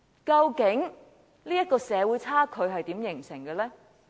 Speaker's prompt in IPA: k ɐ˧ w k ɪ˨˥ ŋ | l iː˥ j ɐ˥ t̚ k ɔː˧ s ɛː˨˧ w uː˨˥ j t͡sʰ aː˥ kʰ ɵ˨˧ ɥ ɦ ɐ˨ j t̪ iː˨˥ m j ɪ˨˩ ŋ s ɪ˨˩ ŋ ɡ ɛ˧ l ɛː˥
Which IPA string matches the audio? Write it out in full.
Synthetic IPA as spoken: k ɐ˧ w k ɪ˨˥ ŋ | l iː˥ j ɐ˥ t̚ k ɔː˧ s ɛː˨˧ w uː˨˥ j t͡sʰ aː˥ kʰ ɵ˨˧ ɥ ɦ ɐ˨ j t̪ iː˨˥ m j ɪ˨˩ ŋ s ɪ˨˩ ŋ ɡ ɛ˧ l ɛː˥